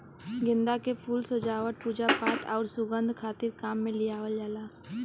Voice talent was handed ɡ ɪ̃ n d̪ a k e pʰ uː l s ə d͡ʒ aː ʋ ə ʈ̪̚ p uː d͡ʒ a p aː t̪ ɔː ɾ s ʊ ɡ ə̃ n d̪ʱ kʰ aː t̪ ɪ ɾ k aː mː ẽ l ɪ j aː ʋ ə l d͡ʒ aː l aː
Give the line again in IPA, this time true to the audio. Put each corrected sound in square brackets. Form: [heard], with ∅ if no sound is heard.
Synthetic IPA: ɡ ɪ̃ n d̪ a k e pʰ uː l s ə d͡ʒ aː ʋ ə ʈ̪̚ p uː d͡ʒ a p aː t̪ ɔː ɾ s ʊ ɡ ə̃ n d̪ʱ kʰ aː t̪ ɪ ɾ k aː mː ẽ l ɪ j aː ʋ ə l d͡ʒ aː l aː